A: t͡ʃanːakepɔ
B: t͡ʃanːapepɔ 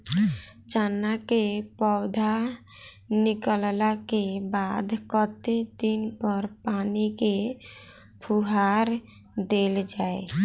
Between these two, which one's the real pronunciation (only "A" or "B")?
A